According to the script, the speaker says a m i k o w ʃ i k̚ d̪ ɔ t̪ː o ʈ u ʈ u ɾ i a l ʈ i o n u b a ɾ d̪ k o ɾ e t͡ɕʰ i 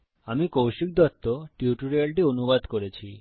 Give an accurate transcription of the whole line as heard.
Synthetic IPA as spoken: a m i k o w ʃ i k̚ d̪ ɔ t̪ː o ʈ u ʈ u ɾ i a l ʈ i o n u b a d̪ k o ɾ e t͡ɕʰ i